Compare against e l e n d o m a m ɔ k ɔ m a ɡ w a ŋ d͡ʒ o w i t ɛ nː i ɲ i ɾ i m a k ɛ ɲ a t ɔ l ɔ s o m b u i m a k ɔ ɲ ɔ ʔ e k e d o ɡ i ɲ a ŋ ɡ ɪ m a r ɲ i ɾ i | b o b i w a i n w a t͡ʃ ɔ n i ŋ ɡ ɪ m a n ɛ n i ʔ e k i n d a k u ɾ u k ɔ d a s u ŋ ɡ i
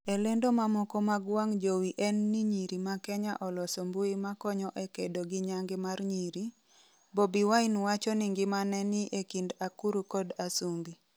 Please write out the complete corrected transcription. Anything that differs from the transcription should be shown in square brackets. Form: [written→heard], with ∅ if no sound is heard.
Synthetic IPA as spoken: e l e n d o m a m ɔ k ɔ m a ɡ w a ŋ d͡ʒ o w i [t→ʔ] ɛ nː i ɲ i ɾ i m a k ɛ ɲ a [t→ʔ] ɔ l ɔ s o m b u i m a k ɔ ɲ ɔ ʔ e k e d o ɡ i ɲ a ŋ ɡ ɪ m a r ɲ i ɾ i | b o b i w a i n w a t͡ʃ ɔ n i ŋ ɡ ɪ m a n ɛ n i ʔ e k i n d a k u ɾ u k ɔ d a s u ŋ ɡ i